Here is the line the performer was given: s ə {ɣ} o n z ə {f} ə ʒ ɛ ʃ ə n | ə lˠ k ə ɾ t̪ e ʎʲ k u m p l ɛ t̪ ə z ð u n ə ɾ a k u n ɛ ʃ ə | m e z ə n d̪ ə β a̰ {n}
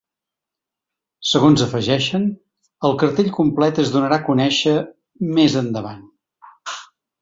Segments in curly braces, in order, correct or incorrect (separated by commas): correct, correct, correct